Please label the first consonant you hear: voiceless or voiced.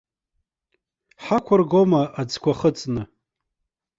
voiceless